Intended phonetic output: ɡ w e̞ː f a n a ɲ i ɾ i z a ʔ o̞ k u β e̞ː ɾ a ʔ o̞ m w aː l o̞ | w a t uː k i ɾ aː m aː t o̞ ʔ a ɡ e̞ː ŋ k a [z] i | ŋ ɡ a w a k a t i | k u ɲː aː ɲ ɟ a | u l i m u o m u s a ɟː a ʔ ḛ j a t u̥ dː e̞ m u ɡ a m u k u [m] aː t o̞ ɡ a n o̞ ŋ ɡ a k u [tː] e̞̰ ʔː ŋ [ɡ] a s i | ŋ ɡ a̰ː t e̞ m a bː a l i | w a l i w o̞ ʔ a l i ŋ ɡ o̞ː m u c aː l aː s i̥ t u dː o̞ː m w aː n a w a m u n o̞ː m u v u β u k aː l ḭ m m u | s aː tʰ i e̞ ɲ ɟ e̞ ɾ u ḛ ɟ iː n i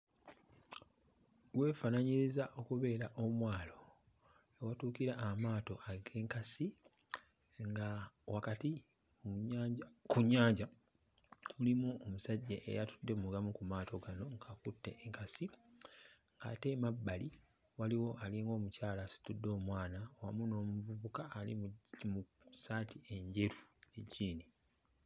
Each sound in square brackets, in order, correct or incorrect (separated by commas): incorrect, correct, correct, incorrect